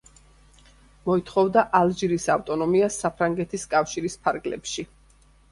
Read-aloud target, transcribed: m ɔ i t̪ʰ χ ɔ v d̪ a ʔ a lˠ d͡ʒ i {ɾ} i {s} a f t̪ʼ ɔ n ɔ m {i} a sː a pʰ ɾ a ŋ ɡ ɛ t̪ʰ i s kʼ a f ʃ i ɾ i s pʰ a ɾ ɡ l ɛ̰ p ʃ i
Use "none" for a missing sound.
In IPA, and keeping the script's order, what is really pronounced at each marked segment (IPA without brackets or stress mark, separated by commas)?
ɾ, s, i